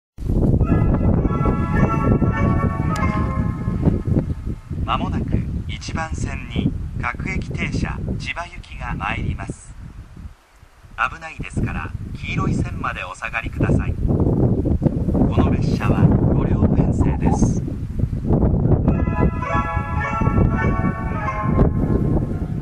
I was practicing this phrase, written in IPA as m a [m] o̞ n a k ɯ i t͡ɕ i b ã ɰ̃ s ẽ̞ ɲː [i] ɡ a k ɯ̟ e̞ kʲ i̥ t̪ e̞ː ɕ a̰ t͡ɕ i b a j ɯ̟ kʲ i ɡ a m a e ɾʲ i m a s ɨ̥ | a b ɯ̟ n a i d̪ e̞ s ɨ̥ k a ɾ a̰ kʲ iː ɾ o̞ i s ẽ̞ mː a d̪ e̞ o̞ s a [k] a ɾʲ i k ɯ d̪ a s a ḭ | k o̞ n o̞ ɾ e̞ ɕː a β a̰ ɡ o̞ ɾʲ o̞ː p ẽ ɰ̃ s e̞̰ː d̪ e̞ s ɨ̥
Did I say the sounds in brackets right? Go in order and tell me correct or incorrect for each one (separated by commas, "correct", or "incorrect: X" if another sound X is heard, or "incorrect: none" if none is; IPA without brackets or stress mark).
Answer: correct, correct, incorrect: ɡ